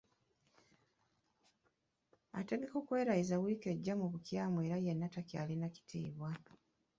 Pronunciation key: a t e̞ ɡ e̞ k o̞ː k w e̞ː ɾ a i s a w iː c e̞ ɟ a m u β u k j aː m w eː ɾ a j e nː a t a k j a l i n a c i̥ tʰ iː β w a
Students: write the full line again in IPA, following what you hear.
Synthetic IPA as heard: a t e̞ ɡ e̞ k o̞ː k w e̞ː ɾ a i z a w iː k e̞ ɟː a m u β u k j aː m w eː ɾ a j e nː a t a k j a l i n a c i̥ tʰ iː β w a